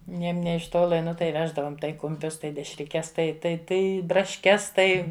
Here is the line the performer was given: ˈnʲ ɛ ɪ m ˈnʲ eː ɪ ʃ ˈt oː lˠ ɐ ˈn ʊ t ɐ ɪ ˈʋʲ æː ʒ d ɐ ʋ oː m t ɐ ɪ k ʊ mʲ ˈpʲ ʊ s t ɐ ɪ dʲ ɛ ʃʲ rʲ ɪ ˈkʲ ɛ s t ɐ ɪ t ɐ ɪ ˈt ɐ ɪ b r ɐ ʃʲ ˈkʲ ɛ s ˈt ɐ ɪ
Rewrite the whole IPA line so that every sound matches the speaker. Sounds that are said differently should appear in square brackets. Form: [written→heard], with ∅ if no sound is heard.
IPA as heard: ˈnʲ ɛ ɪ m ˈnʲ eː ɪ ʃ ˈt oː lˠ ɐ ˈn ʊ t ɐ ɪ ˈʋʲ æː ʒ d ɐ ʋ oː m t ɐ ɪ k ʊ mʲ ˈpʲ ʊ s t ɐ ɪ dʲ ɛ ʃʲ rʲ ɪ ˈkʲ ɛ s t ɐ ɪ t ɐ ɪ ˈt ɐ ɪ b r ɐ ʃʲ ˈkʲ ɛ s ˈt ɐ ɪ